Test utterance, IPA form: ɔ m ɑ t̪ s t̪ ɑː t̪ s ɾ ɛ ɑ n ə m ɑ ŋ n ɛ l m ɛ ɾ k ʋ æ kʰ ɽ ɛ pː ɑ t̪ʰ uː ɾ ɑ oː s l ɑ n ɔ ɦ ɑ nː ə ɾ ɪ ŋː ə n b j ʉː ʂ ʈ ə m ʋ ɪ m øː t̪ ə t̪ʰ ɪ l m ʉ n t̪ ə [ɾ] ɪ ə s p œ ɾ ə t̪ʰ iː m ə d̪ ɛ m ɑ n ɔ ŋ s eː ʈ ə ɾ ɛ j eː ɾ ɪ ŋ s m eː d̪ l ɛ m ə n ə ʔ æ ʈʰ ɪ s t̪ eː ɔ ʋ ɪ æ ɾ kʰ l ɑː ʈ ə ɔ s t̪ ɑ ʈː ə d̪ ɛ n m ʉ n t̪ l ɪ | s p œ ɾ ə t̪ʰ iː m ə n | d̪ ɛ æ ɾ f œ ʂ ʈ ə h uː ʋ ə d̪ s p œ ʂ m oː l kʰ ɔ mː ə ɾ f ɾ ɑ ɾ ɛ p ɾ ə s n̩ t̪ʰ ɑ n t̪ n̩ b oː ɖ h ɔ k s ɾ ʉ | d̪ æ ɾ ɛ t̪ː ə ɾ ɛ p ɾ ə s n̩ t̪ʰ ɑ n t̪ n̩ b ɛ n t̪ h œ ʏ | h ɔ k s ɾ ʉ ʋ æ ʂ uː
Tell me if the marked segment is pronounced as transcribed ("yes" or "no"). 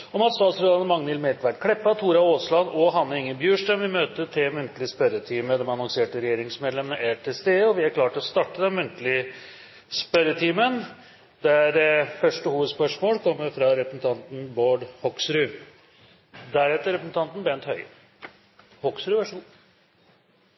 no